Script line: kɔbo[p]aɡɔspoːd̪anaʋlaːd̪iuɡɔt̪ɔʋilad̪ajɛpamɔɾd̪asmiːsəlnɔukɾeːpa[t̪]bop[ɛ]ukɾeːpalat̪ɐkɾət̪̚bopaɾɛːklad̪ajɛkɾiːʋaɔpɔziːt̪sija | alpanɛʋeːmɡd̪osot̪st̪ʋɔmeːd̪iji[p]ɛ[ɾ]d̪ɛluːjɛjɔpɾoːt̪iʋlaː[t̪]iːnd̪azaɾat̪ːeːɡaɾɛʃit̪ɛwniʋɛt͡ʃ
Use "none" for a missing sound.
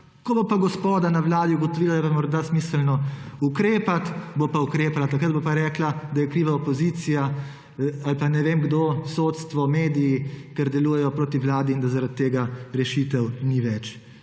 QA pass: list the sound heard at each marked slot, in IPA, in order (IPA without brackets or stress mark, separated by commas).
p, t̪, a, k, ɾ, d̪